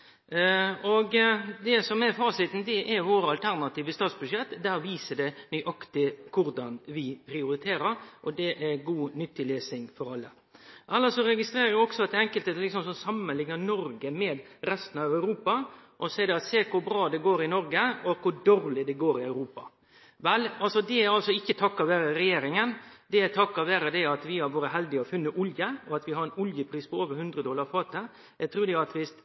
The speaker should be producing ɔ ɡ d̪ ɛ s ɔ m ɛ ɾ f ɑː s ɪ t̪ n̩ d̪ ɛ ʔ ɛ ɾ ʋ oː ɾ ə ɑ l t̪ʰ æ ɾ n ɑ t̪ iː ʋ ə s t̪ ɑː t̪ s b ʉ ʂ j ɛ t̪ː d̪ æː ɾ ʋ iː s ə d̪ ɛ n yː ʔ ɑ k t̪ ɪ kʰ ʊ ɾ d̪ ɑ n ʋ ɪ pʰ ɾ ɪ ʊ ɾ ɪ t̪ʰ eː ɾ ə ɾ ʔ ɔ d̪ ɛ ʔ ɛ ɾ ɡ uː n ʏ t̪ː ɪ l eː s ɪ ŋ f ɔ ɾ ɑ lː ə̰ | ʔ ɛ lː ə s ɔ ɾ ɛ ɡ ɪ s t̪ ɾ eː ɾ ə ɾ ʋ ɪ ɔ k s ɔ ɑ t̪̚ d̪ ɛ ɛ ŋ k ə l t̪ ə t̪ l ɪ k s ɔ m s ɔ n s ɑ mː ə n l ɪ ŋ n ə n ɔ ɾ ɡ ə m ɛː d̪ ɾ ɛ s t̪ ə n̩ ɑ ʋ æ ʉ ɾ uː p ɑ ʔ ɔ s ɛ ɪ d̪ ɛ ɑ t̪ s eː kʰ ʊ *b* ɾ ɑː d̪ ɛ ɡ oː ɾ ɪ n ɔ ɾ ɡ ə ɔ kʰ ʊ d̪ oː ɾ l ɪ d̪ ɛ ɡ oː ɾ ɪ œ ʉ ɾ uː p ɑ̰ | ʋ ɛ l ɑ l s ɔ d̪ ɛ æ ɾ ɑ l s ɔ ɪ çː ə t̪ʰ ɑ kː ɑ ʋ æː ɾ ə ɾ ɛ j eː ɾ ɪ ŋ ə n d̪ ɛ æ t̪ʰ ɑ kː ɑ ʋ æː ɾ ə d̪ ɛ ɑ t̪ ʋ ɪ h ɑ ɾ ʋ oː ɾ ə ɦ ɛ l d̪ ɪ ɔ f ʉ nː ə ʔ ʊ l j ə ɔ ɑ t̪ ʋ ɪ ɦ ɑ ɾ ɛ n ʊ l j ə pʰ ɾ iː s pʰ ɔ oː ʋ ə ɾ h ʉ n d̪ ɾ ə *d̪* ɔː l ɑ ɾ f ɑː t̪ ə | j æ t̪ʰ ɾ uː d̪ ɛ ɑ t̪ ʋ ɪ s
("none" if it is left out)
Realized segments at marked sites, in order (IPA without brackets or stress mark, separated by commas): b, d̪